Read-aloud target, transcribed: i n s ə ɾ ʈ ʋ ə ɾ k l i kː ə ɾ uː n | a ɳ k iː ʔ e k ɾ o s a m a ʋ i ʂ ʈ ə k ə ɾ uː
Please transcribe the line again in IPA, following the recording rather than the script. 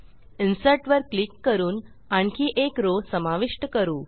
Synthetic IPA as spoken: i n s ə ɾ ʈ ʋ ə ɾ k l i kː ə ɾ uː n | a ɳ k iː ʔ e k ɾ o s ə m a ʋ i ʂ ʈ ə k ə ɾ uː